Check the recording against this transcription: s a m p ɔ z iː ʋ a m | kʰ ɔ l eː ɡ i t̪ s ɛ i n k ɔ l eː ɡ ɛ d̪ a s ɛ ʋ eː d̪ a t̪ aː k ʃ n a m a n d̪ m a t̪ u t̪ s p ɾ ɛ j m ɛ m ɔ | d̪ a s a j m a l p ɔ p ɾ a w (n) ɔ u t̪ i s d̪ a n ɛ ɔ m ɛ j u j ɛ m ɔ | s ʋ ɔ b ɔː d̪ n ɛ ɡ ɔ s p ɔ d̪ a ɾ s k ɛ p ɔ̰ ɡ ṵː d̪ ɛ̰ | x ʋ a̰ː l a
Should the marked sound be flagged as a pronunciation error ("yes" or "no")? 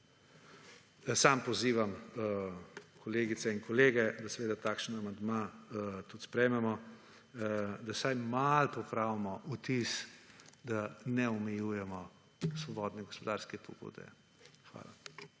yes